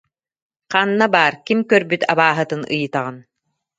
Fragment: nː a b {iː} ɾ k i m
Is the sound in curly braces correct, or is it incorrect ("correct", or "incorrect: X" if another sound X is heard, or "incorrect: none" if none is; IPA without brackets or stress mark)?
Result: incorrect: aː